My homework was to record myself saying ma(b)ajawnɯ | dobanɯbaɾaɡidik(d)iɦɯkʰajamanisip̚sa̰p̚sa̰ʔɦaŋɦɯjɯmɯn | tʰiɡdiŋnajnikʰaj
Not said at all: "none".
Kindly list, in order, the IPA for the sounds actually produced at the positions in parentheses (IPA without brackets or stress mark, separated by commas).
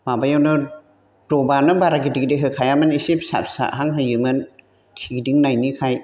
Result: b, d